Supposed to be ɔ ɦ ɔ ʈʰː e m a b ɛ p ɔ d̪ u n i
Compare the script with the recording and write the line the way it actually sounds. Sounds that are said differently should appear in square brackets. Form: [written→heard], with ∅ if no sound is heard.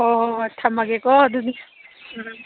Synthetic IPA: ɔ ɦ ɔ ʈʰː [e→a] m a [b→ɡ] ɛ [p→k] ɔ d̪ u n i